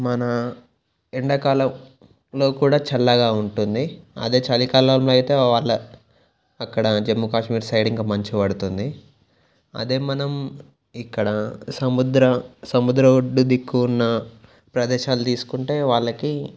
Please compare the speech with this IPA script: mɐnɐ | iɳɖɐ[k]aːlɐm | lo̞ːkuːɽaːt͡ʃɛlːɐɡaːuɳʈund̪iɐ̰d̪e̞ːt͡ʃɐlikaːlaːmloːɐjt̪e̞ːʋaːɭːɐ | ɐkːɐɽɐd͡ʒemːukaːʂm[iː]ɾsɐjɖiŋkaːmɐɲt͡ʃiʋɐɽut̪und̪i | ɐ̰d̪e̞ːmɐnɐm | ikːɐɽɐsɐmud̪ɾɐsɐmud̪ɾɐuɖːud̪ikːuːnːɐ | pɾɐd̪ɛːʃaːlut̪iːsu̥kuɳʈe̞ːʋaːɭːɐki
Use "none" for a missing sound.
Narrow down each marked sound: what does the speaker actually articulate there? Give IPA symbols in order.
k, iː

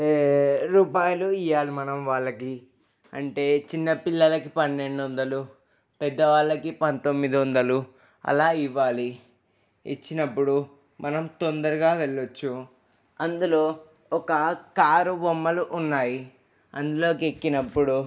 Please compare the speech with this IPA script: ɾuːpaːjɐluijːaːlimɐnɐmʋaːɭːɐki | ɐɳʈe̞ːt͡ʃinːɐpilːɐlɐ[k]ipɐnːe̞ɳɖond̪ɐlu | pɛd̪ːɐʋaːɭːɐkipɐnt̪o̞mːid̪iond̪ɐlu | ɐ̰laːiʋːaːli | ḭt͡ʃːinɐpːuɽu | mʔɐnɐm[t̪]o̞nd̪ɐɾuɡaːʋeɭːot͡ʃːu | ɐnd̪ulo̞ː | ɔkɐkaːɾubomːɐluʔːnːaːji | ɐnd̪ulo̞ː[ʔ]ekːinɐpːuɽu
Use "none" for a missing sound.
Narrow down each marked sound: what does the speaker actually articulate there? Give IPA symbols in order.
k, t̪, k

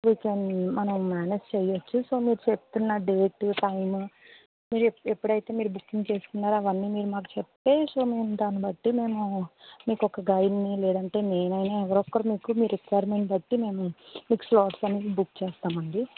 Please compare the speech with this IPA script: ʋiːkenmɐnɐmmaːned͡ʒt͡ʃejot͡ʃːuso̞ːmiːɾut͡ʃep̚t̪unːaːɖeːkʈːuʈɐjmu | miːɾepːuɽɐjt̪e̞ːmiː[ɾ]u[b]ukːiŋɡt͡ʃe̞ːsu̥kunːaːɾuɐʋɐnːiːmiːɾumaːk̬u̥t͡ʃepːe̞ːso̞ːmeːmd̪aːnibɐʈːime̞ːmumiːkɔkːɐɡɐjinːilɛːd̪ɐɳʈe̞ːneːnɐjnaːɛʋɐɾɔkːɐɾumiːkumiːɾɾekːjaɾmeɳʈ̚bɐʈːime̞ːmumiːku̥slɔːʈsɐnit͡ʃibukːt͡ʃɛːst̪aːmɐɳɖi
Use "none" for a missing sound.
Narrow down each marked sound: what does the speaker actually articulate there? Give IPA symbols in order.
ɾ, b

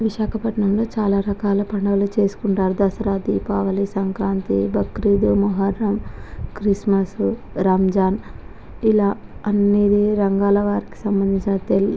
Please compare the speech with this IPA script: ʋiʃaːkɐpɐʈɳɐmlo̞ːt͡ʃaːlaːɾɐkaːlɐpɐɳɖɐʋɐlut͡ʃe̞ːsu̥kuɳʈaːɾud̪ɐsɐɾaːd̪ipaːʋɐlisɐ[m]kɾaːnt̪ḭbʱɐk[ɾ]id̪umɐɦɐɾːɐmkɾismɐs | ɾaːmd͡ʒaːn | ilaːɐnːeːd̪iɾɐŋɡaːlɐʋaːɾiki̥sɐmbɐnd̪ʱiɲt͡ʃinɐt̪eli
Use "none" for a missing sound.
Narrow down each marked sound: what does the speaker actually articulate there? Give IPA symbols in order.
ŋ, ɾ

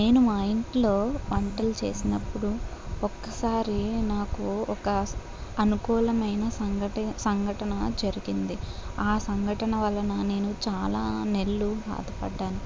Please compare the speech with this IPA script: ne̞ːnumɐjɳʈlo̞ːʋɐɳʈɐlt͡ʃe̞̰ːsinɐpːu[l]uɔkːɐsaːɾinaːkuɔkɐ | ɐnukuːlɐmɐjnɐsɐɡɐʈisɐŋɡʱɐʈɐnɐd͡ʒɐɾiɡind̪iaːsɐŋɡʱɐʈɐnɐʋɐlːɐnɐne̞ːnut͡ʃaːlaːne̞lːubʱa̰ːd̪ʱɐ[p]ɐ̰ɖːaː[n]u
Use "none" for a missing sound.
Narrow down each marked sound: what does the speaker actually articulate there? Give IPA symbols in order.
ɽ, p, n

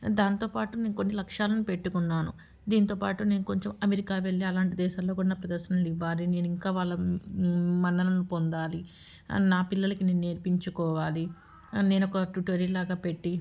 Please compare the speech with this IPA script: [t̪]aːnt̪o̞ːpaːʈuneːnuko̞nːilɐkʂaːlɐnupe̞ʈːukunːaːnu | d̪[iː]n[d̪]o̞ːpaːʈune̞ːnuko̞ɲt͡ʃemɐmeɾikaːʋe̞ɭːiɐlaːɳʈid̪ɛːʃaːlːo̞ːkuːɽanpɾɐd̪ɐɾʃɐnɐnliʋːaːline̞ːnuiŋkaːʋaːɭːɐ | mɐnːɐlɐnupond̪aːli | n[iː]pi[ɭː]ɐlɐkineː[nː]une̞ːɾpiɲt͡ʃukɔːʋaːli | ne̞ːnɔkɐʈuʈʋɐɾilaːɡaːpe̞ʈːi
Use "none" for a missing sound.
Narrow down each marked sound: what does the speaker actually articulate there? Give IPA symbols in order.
d̪, iː, t̪, aː, lː, n

